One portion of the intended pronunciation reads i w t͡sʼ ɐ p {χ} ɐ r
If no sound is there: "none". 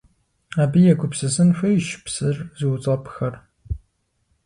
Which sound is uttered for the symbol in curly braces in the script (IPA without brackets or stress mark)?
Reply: x